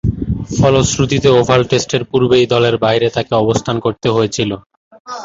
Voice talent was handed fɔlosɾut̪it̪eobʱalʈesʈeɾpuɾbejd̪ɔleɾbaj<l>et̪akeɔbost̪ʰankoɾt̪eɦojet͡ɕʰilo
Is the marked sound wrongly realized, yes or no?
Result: yes